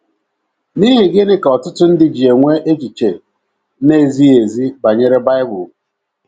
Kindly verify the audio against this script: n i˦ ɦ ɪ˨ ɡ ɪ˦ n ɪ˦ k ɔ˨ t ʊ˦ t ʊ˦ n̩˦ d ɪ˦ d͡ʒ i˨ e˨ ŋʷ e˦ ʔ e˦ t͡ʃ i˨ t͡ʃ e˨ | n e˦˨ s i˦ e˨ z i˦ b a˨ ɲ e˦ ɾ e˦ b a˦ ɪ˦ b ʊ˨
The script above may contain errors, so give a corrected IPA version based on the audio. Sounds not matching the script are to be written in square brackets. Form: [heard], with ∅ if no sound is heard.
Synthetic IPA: n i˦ ɦ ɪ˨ ɡ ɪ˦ n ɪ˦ k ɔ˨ t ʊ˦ t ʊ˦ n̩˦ d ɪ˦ d͡ʒ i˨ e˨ ŋʷ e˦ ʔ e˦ t͡ʃ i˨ t͡ʃ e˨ | n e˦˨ [z] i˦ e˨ z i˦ b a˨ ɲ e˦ ɾ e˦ b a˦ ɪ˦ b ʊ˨